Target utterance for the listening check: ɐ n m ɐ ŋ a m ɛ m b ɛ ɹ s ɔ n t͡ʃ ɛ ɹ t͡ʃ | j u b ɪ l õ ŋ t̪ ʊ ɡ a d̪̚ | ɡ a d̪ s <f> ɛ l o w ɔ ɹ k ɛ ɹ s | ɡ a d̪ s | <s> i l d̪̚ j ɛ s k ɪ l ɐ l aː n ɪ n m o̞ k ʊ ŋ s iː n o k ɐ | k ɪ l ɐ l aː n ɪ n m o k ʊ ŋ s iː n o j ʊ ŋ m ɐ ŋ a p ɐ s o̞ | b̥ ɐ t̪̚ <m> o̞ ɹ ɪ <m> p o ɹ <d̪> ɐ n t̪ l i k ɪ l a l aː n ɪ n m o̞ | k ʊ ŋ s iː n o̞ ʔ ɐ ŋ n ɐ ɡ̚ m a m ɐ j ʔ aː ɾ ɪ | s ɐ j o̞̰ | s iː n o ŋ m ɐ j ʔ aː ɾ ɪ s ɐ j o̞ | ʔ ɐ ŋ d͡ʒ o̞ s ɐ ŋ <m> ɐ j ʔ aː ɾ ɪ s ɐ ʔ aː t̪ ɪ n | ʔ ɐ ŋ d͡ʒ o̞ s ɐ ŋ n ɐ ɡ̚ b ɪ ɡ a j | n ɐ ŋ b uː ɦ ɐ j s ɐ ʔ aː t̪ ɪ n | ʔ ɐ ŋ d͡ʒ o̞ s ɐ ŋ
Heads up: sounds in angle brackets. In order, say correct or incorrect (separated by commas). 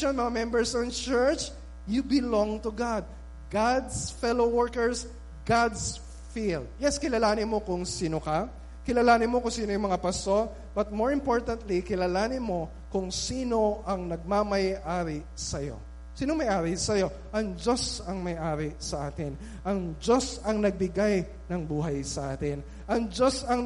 correct, incorrect, correct, correct, incorrect, correct